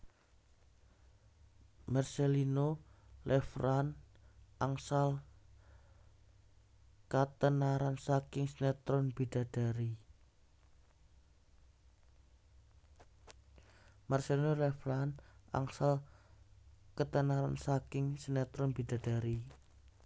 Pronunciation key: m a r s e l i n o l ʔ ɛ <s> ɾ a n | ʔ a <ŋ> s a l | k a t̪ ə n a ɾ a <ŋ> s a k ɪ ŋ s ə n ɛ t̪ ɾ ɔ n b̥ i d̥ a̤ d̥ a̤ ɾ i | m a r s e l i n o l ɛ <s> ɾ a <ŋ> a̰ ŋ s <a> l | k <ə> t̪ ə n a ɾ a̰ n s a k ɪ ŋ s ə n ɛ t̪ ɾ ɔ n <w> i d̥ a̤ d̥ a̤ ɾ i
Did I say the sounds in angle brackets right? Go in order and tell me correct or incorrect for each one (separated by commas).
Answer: incorrect, correct, incorrect, incorrect, incorrect, correct, correct, incorrect